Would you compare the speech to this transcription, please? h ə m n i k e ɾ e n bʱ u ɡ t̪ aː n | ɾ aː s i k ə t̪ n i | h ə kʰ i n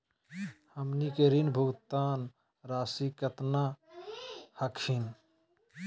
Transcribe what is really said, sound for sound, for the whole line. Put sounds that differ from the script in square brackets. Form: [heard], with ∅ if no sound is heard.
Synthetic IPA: h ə m n i k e ɾ [i] n bʱ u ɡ t̪ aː n | ɾ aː s i k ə t̪ n [a] | h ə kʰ i n

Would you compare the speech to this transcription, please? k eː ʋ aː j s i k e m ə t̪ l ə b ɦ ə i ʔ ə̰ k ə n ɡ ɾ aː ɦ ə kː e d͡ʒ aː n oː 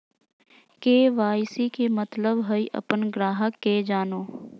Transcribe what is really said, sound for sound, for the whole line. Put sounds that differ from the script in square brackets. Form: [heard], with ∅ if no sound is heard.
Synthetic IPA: k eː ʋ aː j s i k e m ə t̪ l ə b ɦ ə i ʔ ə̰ [p] ə n ɡ ɾ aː ɦ ə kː e d͡ʒ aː n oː

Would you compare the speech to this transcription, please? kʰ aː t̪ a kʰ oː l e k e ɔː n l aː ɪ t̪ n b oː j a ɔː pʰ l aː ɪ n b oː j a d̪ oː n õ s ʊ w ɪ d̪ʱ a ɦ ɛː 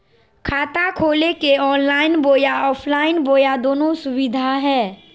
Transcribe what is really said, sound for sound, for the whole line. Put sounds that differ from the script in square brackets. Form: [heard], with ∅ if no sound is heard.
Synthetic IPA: kʰ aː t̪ a kʰ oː l e k e ɔː n l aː ɪ [∅] n b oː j a ɔː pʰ l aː ɪ n b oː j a d̪ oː n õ s ʊ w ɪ d̪ʱ a ɦ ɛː

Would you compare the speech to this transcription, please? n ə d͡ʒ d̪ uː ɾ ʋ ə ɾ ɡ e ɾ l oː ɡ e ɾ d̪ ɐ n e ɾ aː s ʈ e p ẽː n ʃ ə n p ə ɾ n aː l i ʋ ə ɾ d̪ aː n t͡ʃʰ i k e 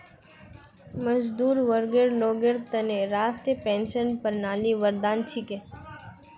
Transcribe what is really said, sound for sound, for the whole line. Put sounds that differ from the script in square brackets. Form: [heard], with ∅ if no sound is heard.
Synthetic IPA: [m] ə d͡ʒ d̪ uː ɾ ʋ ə ɾ ɡ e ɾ l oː ɡ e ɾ [t̪] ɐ n e ɾ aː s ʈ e p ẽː n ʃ ə n p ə ɾ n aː l i ʋ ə ɾ d̪ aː n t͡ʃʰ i k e

